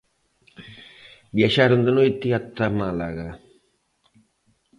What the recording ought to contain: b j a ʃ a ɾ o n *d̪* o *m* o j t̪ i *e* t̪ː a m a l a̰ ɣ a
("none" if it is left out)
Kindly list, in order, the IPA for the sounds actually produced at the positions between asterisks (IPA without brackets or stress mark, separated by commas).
d̪, n, a